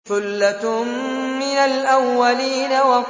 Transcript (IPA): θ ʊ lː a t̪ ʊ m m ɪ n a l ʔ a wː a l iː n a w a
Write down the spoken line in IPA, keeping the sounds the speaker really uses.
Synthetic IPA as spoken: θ ʊ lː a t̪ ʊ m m ɪ n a l ʔ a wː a l iː n a w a

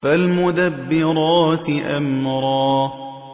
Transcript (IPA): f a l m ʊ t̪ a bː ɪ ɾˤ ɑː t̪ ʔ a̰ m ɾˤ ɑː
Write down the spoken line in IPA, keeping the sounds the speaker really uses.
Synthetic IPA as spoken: f a l m ʊ d̪ a bː ɪ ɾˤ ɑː t̪ ʔ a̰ m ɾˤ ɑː

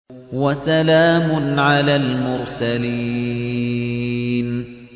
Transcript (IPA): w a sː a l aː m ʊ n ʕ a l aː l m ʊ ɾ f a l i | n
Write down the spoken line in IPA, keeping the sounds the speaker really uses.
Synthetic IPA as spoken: w a s a l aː m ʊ n ʕ a l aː l m ʊ ɾ s a l i | n

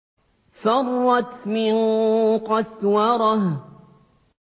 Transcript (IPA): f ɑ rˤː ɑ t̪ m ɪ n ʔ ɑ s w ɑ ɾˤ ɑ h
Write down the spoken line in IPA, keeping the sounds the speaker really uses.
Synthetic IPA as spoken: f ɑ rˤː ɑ t̪ m ɪ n q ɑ s w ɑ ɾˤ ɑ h

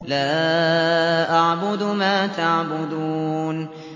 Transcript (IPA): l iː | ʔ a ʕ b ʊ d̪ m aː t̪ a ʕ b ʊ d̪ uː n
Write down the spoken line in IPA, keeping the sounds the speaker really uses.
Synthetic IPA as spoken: l aː | ʔ a ʕ b ʊ d̪ m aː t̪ a ʕ b ʊ d̪ uː n

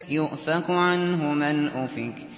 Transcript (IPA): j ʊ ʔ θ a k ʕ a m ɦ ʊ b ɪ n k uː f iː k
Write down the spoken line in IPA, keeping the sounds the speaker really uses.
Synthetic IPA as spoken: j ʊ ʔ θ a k ʕ a n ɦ ʊ m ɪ n ʔ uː f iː k

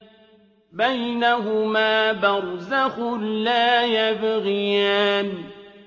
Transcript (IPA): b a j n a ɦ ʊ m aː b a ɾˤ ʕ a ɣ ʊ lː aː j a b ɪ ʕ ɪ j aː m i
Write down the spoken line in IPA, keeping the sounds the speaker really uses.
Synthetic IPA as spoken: b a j n a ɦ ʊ m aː b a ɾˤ z a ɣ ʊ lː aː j a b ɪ ɣ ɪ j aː m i

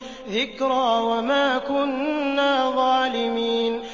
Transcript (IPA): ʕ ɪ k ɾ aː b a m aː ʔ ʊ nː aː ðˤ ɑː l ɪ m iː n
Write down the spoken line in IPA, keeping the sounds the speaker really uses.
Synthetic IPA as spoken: ð ɪ k ɾ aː w a m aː k ʊ nː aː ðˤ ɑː l ɪ m iː n

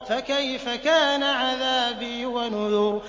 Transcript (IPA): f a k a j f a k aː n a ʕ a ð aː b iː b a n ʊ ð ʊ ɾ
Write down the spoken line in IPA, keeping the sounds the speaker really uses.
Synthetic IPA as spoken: f a k a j f a k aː n a ʕ a ð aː b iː w a n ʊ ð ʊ ɾ

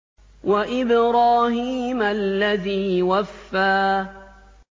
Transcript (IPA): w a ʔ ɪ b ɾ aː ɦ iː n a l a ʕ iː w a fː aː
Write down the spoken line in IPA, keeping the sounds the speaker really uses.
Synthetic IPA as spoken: w a ʔ ɪ b ɾ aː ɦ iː m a lː a ð iː w a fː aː

